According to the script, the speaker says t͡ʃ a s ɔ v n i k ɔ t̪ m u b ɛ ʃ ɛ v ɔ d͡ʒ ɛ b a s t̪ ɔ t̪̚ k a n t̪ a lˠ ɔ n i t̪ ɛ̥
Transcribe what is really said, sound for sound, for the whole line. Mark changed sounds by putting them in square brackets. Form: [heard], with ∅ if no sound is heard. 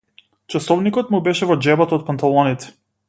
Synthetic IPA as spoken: t͡ʃ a s ɔ v n i k ɔ t̪ m u b ɛ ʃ ɛ v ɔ d͡ʒ ɛ b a [∅] t̪ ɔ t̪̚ [p] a n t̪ a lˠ ɔ n i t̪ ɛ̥